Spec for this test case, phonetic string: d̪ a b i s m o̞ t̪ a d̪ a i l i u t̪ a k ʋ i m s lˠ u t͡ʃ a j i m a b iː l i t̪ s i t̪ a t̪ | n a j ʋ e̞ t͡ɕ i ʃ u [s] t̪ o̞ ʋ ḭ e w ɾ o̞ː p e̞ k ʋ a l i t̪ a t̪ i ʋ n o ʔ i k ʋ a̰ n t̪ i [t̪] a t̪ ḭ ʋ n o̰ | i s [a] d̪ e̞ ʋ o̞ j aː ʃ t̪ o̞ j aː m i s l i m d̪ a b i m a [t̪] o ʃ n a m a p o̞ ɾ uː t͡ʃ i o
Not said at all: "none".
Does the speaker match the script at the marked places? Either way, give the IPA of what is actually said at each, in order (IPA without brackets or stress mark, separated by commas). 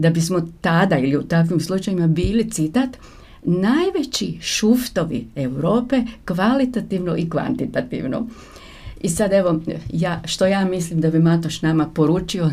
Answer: f, t̪, a, t̪